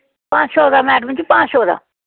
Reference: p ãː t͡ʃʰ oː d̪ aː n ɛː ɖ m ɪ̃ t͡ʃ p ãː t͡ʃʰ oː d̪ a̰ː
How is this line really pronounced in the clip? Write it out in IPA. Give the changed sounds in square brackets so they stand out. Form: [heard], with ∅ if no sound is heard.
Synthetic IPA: p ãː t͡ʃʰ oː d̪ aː [m] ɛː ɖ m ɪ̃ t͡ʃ p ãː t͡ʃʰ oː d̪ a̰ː